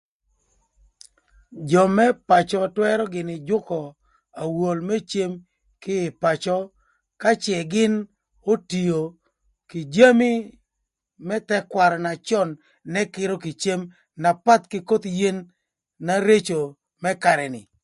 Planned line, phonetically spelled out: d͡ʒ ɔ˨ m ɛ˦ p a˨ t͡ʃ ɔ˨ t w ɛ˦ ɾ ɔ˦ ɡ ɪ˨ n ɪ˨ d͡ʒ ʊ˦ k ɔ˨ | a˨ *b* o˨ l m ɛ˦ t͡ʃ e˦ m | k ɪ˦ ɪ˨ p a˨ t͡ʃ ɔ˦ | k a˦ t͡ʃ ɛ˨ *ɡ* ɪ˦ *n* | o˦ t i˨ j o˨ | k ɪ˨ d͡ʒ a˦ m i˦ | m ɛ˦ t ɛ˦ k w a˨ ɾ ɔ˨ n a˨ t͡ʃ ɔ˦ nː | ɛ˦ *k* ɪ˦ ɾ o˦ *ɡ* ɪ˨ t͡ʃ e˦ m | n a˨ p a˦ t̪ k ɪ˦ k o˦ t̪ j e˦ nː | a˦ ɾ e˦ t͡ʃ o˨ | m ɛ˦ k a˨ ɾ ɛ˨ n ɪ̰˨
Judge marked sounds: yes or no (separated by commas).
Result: no, yes, yes, yes, no